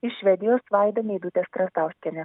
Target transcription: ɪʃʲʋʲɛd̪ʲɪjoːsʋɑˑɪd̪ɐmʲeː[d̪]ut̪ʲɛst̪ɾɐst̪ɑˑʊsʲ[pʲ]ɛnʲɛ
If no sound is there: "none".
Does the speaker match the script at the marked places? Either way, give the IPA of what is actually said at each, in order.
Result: d̪, kʲ

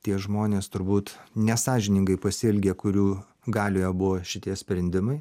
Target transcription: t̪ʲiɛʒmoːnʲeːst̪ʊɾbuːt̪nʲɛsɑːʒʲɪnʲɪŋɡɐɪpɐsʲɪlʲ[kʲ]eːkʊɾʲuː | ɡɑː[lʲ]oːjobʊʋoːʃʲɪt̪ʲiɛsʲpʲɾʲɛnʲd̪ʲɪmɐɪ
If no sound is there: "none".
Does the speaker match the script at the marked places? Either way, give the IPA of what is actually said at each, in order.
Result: ɡʲ, lʲ

